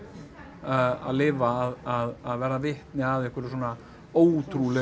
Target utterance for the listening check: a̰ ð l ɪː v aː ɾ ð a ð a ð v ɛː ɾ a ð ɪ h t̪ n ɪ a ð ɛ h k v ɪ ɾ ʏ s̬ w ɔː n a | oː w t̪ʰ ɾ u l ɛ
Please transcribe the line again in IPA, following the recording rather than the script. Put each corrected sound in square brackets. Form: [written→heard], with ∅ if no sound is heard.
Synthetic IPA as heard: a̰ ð l ɪː v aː [ɾ→∅] ð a ð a ð v ɛː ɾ a [ð→v] ɪ h t̪ n ɪ a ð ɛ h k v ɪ ɾ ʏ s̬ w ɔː n a | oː w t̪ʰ ɾ u l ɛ

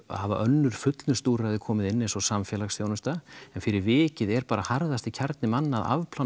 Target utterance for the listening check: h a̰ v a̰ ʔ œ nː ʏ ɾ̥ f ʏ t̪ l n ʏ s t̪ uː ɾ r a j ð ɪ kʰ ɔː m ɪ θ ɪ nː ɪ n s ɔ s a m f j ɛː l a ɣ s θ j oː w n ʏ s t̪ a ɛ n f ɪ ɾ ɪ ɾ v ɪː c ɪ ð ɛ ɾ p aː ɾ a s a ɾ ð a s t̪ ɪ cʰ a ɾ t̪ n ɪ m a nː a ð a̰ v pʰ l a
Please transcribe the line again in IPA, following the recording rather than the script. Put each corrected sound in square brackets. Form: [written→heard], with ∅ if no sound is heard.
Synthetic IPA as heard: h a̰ v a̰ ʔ œ nː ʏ ɾ̥ f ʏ t̪ l n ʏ s t̪ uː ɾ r a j ð ɪ kʰ ɔː m ɪ [θ→ð] ɪ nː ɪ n s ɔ s a m f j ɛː l a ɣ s θ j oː w n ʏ s t̪ a ɛ n f ɪ ɾ ɪ ɾ v ɪː c ɪ ð ɛ ɾ p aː ɾ a [s→h] a ɾ ð a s t̪ ɪ cʰ a ɾ t̪ n ɪ m a nː a ð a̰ v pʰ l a

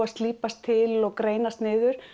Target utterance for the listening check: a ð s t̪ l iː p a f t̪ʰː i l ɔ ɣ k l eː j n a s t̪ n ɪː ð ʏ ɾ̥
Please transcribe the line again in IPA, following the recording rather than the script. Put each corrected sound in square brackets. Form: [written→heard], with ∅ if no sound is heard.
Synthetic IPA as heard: a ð s t̪ l iː p a [f→s] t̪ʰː [i→ɪ] l ɔ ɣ k [l→ɾ] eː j n a s t̪ n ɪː ð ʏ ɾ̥

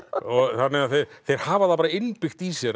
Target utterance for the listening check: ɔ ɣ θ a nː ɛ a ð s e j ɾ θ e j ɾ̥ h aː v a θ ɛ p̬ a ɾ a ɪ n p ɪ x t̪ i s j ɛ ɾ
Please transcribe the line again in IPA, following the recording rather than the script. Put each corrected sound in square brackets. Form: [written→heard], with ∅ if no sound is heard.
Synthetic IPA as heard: ɔ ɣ θ a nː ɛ a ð [s→θ] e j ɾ θ e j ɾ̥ h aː v a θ [ɛ→a] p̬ a ɾ a ɪ n p ɪ x t̪ i s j ɛ ɾ

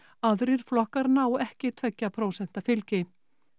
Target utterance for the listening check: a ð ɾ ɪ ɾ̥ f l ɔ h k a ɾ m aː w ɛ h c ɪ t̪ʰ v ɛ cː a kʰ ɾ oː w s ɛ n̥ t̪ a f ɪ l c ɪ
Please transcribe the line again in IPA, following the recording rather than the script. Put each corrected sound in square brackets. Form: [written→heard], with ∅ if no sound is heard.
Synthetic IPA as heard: a ð ɾ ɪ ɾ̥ f l ɔ h k a ɾ [m→n] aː w ɛ h c ɪ t̪ʰ v ɛ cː a [kʰ→pʰ] ɾ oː w s ɛ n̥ t̪ a f ɪ l c ɪ

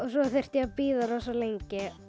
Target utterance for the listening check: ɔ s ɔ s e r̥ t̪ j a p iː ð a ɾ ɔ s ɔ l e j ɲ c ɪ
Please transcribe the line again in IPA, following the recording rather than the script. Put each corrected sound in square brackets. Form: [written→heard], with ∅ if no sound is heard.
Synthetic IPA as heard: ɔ s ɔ [s→θ] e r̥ t̪ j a p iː ð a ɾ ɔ s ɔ l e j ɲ c ɪ

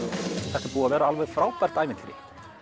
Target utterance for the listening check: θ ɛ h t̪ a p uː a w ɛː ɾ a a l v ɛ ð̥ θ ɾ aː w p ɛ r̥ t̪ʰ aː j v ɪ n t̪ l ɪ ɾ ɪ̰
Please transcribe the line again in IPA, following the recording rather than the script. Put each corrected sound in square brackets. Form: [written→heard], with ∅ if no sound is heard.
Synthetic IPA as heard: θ ɛ h t̪ a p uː a [w→v] ɛː ɾ a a l v ɛ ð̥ [θ→f] ɾ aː w p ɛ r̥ [t̪ʰ→t̪] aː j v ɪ n t̪ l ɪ ɾ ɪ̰

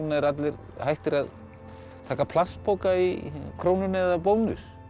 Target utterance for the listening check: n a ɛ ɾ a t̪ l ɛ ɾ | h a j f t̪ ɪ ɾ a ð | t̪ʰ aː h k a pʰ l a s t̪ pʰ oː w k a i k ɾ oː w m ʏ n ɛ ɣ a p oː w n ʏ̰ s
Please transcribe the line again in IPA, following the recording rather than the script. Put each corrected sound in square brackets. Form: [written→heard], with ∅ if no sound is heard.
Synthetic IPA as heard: n a ɛ ɾ a t̪ l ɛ ɾ | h a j [f→h] t̪ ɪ ɾ a ð | t̪ʰ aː [h→∅] k a pʰ l a s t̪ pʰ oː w k a i [k→kʰ] ɾ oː w [m→n] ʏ n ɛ [ɣ→ð] a p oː w n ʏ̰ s

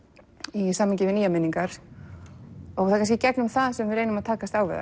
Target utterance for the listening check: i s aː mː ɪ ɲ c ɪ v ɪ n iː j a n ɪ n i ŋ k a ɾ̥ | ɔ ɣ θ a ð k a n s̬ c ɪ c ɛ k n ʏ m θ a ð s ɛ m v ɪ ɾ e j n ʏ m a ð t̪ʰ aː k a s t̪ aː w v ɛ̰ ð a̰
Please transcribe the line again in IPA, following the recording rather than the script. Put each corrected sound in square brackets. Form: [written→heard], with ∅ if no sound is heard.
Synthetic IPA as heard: i s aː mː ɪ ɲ c ɪ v ɪ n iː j a [n→m] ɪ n i ŋ k a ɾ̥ | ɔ ɣ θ a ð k a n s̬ c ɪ c ɛ k n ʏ m θ a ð s ɛ m v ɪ ɾ e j n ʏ m a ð t̪ʰ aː k a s t̪ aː w v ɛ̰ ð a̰

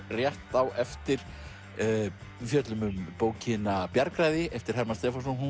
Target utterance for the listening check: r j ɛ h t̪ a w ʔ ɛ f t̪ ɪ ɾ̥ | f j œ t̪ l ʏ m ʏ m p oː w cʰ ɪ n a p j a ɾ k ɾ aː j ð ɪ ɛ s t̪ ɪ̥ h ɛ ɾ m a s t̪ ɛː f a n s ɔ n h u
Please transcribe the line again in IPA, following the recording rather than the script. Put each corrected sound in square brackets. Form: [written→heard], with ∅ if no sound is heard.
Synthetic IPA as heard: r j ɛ h t̪ a w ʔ ɛ f t̪ ɪ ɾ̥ | f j œ t̪ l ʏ m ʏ m p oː w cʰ ɪ n a p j a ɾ k ɾ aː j ð ɪ ɛ [s→f] t̪ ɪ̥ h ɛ ɾ m a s t̪ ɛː f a n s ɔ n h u

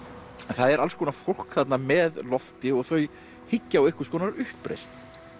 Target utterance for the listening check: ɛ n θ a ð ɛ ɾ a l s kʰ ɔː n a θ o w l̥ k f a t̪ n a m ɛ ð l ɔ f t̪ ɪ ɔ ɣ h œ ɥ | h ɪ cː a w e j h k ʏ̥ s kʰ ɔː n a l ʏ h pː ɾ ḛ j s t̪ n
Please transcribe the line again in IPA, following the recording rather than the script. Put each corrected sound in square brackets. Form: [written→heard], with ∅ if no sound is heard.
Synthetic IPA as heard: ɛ n θ a ð ɛ ɾ a l s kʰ ɔː n a [θ→f] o w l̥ k [f→θ] a t̪ n a m ɛ ð l ɔ f t̪ ɪ ɔ ɣ [h→θ] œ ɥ | h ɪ cː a w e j h k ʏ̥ s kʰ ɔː n a [l→ɾ] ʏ h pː ɾ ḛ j s t̪ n

